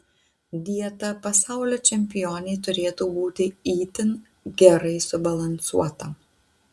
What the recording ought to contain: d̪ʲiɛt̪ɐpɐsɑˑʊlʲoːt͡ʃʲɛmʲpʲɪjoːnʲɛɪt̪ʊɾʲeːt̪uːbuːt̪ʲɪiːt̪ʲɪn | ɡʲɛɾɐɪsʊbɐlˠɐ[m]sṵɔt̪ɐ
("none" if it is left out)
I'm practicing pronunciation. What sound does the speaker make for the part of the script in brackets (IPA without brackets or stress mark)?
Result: n